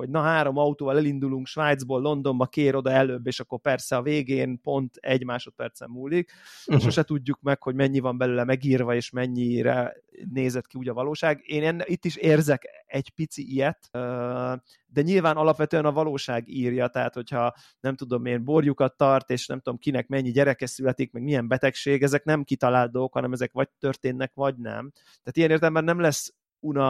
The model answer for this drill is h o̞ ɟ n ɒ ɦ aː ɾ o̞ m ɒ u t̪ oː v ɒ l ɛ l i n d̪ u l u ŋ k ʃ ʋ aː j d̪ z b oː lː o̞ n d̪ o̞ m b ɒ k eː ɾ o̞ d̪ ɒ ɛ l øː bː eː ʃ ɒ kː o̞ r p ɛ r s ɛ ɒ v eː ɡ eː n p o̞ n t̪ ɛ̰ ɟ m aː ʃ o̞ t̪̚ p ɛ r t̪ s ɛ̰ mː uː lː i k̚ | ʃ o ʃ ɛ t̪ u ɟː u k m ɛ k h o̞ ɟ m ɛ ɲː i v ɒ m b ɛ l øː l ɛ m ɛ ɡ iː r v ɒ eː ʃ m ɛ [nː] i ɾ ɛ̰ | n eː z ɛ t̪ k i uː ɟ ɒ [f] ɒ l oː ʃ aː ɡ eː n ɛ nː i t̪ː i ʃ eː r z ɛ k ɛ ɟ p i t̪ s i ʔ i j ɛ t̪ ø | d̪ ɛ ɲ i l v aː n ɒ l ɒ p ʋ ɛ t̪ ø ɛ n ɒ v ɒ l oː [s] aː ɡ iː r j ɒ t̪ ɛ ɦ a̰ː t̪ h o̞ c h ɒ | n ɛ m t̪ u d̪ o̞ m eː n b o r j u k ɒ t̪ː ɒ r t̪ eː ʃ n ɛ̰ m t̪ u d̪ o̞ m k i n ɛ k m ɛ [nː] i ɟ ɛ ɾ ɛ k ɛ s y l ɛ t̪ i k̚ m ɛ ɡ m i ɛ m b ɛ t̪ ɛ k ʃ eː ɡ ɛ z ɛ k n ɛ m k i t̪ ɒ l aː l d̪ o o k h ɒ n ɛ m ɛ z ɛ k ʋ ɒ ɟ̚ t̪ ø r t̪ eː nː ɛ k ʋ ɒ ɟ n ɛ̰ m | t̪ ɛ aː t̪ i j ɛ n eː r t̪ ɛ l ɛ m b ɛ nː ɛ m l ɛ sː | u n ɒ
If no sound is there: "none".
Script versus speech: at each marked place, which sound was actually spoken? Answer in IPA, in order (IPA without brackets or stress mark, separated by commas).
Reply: ɲː, v, ʃ, ɲː